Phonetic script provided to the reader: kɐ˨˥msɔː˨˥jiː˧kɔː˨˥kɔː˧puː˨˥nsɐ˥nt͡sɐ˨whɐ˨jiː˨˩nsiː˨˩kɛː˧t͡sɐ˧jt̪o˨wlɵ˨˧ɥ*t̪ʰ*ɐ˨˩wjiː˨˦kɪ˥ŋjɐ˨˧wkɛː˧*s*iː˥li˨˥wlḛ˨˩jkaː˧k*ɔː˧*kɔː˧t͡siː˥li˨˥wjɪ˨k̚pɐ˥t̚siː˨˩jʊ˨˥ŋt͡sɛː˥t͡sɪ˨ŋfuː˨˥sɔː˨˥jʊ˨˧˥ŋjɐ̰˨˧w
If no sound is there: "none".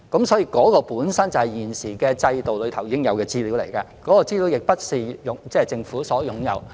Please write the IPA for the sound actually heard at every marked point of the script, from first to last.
t̪ʰ, t͡s, ɔː˨˥

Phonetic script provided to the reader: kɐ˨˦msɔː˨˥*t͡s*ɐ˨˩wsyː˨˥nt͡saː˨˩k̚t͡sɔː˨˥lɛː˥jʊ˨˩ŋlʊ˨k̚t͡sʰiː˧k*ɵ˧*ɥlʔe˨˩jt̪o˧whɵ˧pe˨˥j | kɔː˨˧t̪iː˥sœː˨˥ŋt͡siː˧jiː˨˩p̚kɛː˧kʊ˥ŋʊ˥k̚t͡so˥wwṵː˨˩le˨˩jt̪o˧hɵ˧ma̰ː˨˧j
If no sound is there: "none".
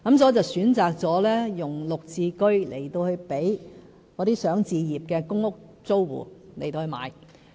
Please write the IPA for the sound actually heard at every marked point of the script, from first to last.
t͡s, ɵ˥

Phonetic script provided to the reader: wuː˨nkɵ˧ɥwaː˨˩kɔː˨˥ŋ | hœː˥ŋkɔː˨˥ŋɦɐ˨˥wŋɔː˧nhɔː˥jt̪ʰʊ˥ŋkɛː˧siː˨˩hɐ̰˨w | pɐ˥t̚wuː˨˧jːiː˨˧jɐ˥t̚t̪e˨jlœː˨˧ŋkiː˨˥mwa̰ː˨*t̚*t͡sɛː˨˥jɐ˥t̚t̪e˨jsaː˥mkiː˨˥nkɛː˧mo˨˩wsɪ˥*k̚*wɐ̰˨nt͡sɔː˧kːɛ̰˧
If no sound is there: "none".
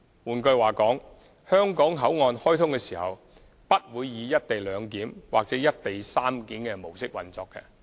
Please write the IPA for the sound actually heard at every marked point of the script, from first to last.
k̚, k̚

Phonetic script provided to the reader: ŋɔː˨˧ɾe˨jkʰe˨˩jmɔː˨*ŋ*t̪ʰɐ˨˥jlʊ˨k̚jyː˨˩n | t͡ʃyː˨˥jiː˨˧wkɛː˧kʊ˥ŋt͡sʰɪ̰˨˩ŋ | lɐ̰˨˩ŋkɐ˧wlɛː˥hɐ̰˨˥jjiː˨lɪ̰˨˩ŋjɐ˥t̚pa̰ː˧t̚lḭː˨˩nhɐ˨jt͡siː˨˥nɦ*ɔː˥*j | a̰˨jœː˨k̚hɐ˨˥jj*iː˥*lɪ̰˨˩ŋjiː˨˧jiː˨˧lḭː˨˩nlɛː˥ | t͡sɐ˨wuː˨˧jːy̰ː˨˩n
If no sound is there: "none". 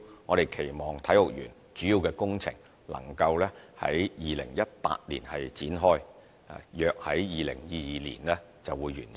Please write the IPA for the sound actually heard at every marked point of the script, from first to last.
ŋ, ɔː˥, iː˨

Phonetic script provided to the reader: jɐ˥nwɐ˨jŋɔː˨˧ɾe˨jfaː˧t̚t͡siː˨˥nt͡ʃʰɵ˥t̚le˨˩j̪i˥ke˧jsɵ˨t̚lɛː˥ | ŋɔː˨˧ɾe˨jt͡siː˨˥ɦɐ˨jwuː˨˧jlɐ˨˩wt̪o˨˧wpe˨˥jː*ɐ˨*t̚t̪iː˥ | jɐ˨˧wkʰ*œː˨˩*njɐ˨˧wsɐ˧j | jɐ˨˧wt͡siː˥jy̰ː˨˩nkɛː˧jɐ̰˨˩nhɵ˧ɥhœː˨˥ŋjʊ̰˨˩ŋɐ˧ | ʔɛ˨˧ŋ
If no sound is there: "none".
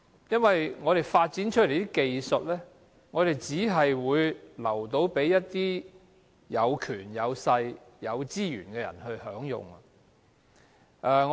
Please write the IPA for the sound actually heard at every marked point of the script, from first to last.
ɐ˥, yː˨˩

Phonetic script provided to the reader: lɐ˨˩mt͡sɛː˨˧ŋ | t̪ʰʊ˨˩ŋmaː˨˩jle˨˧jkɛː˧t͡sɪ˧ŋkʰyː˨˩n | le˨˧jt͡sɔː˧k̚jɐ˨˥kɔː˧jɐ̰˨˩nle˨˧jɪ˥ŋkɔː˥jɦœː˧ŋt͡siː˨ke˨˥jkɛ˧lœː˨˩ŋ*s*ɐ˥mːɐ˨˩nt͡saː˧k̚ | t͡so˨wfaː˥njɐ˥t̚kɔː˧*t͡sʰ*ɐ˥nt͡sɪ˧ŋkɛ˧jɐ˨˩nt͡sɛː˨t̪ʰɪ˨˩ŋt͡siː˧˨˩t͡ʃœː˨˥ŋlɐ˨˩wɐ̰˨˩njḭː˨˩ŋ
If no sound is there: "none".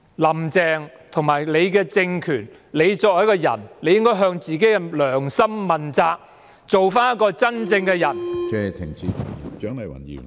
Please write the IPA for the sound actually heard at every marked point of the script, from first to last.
s, t͡s

